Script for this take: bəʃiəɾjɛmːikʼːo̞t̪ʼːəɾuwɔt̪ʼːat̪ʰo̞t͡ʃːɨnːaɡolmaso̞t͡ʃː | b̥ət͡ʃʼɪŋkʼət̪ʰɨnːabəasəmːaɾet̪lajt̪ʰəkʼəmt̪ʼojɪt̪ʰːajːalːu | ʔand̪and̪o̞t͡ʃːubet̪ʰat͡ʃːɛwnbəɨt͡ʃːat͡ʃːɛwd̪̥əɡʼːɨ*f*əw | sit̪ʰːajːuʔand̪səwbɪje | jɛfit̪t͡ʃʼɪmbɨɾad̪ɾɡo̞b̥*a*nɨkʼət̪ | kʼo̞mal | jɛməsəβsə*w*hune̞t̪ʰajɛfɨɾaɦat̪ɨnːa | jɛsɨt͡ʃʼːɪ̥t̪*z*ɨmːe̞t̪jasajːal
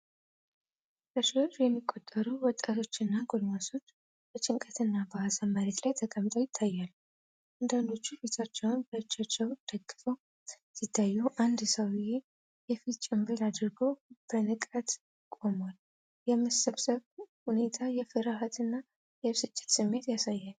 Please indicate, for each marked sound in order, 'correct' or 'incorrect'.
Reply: correct, incorrect, incorrect, incorrect

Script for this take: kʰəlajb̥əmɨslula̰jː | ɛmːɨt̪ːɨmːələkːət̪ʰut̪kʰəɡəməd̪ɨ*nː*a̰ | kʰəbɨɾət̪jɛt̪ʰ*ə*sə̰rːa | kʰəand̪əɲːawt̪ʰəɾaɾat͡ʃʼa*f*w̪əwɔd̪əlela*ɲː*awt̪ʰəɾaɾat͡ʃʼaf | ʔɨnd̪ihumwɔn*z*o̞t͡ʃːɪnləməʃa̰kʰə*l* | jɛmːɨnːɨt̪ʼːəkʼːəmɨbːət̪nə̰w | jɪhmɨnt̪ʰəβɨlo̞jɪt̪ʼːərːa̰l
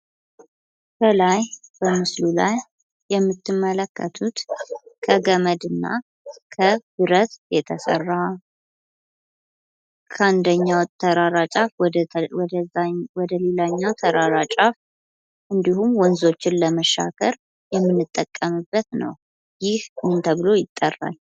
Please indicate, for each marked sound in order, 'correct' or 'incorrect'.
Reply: correct, correct, correct, correct, correct, incorrect

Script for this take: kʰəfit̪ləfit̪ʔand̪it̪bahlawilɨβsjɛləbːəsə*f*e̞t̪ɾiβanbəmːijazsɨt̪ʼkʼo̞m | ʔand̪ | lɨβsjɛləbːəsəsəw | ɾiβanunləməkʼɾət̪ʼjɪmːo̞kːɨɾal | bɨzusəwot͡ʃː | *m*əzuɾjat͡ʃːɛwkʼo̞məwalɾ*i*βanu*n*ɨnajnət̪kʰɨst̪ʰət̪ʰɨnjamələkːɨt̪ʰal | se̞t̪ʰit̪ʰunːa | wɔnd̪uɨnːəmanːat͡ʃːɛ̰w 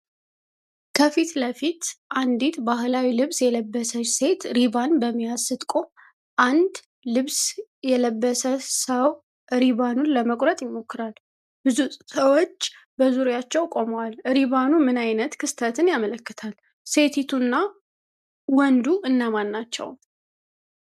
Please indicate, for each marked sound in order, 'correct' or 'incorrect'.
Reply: incorrect, incorrect, correct, incorrect

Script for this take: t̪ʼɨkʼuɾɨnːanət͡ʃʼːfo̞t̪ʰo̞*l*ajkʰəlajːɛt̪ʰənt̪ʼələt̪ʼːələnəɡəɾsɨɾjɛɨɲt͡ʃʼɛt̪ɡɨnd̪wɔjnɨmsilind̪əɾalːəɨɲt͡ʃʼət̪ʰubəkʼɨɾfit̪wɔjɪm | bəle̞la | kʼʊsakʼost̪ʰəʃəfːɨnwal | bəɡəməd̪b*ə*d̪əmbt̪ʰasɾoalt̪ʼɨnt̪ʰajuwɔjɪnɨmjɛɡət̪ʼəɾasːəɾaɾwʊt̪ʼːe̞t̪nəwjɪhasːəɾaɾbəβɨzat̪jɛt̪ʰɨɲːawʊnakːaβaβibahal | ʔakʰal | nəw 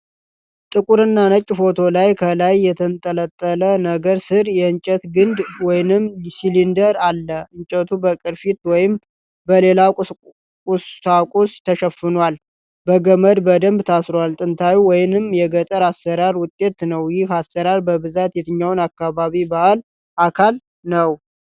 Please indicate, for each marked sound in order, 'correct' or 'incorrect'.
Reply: correct, correct

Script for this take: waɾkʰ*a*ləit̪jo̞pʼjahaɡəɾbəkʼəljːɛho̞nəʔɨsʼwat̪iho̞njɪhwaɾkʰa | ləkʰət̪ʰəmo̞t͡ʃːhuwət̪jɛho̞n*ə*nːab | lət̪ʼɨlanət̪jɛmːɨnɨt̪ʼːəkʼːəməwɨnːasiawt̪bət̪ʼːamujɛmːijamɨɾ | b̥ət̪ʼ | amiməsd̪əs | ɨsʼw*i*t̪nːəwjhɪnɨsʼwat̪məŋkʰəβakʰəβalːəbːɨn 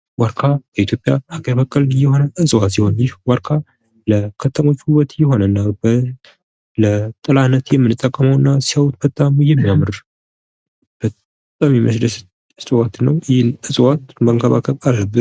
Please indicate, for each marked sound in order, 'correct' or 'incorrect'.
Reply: correct, correct, incorrect

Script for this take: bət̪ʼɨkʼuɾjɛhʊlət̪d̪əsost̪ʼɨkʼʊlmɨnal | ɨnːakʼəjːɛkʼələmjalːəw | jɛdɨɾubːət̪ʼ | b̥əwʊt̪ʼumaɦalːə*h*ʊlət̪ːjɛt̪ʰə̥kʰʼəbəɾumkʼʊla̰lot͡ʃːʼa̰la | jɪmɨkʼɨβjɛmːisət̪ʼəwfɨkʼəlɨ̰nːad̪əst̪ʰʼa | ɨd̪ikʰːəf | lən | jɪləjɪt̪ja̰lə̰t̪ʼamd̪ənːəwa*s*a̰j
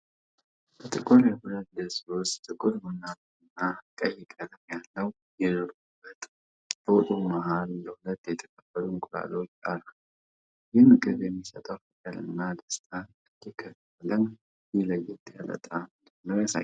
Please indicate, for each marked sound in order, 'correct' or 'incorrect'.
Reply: correct, correct

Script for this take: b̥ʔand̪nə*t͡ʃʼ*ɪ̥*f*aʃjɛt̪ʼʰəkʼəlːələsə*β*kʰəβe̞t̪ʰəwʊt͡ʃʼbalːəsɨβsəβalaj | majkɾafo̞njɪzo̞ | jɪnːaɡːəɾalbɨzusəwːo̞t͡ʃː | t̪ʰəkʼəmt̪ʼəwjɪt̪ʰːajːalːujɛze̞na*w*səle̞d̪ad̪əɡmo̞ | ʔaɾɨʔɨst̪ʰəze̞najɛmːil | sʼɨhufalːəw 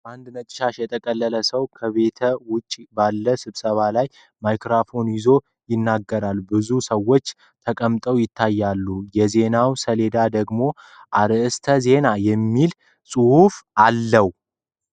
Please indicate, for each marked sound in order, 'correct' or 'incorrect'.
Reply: correct, incorrect, incorrect, correct

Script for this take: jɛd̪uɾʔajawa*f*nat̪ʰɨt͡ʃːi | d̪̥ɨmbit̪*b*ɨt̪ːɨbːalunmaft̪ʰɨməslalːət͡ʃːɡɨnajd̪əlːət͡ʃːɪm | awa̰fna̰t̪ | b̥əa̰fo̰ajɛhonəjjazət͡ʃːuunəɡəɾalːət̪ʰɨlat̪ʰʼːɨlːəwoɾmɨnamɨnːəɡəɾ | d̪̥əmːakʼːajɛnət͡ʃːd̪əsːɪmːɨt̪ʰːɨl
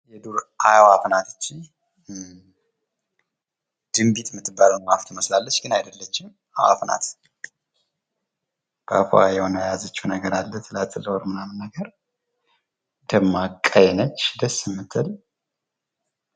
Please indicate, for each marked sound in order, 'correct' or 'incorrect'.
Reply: correct, incorrect

